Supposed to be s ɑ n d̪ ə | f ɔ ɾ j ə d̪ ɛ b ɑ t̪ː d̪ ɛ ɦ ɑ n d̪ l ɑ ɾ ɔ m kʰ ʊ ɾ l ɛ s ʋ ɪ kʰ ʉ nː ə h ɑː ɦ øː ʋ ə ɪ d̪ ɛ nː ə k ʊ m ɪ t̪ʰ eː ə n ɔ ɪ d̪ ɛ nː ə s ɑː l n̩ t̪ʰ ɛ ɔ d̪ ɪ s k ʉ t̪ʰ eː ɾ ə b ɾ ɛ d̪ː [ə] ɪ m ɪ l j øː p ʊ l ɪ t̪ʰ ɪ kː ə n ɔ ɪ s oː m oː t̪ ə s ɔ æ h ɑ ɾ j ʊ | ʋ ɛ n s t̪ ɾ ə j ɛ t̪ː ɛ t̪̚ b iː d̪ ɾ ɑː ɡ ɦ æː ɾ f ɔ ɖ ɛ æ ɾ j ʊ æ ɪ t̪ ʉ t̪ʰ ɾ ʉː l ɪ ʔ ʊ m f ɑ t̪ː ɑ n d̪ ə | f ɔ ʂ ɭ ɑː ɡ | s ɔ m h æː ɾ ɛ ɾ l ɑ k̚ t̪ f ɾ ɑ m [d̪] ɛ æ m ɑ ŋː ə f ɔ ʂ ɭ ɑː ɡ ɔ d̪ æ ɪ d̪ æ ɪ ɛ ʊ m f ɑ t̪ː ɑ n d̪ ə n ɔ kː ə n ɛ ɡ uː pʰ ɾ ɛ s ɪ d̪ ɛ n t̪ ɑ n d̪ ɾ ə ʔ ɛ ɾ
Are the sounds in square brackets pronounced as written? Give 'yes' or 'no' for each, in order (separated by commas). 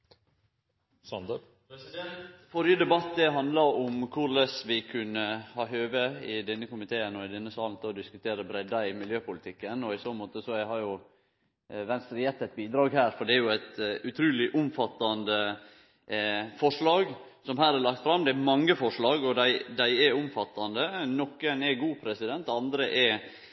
no, yes